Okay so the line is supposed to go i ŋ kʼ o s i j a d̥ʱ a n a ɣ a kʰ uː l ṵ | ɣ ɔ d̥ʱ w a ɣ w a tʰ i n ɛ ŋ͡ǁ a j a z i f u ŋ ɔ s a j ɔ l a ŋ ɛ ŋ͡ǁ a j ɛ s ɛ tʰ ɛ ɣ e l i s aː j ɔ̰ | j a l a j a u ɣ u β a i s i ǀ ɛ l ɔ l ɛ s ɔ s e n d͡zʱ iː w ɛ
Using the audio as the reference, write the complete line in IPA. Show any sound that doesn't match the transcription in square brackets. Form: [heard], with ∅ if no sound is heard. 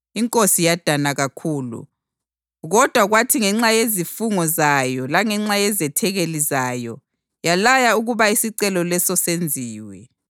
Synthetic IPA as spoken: i ŋ kʼ o s i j a d̥ʱ a n a ɣ a kʰ uː l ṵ | ɣ ɔ d̥ʱ w a ɣ w a tʰ i [ŋ] ɛ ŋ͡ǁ a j [e] z i f u ŋ ɔ [z] a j ɔ l a ŋ ɛ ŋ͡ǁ a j ɛ [z] ɛ tʰ ɛ ɣ e l i [z] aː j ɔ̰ | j a l a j a u ɣ u β a i s i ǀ ɛ l ɔ l ɛ s ɔ s e n d͡zʱ iː w ɛ